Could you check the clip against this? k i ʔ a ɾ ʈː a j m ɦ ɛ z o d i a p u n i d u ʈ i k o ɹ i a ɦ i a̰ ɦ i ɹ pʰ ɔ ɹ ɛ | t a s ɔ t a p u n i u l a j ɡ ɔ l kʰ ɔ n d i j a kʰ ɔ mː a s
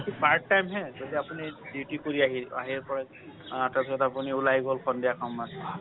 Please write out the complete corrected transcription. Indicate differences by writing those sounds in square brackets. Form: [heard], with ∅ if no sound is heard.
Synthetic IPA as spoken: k i [p] a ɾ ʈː a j m ɦ ɛ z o d i a p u n i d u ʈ i k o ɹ i a ɦ i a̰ ɦ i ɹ [p] ɔ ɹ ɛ | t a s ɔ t a p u n i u l a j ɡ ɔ l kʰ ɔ n d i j a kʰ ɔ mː a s